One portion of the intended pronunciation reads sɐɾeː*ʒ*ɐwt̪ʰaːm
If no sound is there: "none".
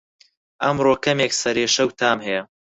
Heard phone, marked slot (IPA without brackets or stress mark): ʃ